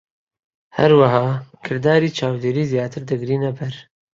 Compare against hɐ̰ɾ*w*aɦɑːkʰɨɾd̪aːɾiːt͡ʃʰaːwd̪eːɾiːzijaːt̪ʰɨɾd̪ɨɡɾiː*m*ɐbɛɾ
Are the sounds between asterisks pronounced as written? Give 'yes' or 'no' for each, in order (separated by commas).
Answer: yes, no